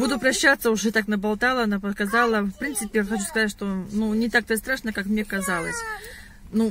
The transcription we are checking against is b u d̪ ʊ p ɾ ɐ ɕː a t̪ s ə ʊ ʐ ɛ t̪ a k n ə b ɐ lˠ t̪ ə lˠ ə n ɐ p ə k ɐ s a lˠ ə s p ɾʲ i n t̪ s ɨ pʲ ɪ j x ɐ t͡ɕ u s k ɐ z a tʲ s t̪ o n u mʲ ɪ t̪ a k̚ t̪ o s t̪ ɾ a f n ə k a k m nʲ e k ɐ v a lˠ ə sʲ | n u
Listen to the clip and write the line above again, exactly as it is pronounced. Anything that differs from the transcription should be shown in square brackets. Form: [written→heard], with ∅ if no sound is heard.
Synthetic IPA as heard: b u d̪ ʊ p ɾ ɐ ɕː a t̪ s ə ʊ ʐ ɛ t̪ a k n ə b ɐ lˠ t̪ [ə→a] lˠ ə n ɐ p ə k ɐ [s→z] a lˠ ə [s→f] p ɾʲ i n t̪ s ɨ pʲ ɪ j x ɐ t͡ɕ u s k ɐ z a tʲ [s→ʂ] t̪ o n u [mʲ→nʲ] ɪ t̪ a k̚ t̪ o s t̪ ɾ a [f→ʂ] n ə k a k m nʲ e k ɐ [v→z] a lˠ ə sʲ | n u

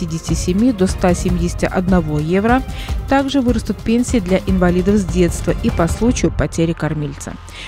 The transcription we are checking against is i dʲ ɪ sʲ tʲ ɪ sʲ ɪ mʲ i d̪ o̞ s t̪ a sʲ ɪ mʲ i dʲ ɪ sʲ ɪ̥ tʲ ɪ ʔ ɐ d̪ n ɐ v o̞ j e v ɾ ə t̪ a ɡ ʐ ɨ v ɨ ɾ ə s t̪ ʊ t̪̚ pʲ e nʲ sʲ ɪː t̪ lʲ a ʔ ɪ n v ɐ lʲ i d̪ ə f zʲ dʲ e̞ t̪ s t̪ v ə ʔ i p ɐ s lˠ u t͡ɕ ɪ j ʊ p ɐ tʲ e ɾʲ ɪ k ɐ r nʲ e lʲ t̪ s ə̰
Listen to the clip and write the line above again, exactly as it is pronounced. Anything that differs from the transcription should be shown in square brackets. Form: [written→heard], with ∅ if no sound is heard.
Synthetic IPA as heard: i dʲ ɪ sʲ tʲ ɪ sʲ ɪ mʲ i d̪ o̞ s t̪ a sʲ ɪ mʲ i dʲ ɪ sʲ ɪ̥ tʲ ɪ ʔ ɐ d̪ n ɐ v o̞ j e v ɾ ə t̪ a ɡ ʐ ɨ v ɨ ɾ ə s t̪ ʊ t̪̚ pʲ e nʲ sʲ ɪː [t̪→d̪] lʲ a ʔ ɪ n v ɐ lʲ i d̪ ə f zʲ dʲ e̞ t̪ s t̪ v ə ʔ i p ɐ s lˠ u t͡ɕ ɪ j ʊ p ɐ tʲ e ɾʲ ɪ k ɐ r [nʲ→mʲ] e lʲ t̪ s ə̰

